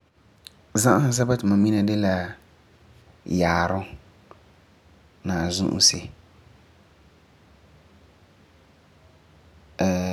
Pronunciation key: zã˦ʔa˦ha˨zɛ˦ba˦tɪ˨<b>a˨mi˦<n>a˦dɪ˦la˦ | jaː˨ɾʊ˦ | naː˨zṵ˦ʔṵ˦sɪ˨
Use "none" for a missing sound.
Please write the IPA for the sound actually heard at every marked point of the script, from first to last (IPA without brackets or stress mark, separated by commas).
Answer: m, n